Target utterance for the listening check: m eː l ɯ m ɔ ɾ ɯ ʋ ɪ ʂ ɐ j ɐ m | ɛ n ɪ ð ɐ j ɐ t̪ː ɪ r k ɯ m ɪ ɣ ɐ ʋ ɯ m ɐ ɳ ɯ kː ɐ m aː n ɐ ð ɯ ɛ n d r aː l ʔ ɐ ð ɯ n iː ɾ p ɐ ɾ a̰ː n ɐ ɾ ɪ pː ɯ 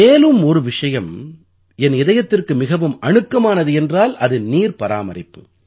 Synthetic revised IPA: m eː l ɯ m ɔ ɾ ɯ ʋ ɪ ʂ ɐ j ɐ m | ɛ n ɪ ð ɐ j ɐ t̪ː ɪ r k ɯ m ɪ ɣ ɐ ʋ ɯ m ɐ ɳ ɯ kː ɐ m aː n ɐ ð ɯ ɛ n d r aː l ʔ ɐ ð ɯ n iː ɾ p ɐ ɾ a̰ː m ɐ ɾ ɪ pː ɯ